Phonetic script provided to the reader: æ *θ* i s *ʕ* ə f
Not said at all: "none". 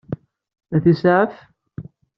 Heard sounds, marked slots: θ, ʕ

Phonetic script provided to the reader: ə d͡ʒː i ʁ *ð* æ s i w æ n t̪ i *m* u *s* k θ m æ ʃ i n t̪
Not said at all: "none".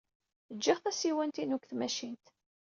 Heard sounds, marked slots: θ, n, none

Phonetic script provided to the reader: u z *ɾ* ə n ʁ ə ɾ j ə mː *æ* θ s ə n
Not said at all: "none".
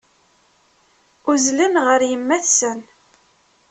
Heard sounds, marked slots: l, æ

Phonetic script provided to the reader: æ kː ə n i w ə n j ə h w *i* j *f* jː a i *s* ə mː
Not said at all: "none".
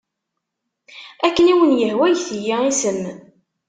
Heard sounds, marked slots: æ, θ, s

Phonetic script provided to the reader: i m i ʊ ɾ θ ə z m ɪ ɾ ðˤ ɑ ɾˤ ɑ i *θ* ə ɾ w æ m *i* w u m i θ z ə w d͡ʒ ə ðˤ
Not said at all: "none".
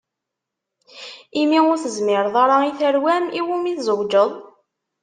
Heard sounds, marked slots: θ, i

